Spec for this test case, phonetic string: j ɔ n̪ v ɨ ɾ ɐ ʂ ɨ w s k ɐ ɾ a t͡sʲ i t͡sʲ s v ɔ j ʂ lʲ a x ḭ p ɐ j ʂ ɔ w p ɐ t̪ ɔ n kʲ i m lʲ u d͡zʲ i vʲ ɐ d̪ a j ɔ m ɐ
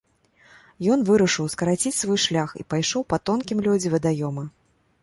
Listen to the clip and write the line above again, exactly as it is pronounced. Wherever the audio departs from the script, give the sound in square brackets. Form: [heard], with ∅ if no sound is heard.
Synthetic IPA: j ɔ n̪ v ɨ ɾ ɐ ʂ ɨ w s k ɐ ɾ a t͡sʲ i t͡sʲ s v ɔ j ʂ lʲ a x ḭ p [a] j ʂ ɔ w p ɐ t̪ ɔ n kʲ i m lʲ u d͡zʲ i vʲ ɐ d̪ a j ɔ m ɐ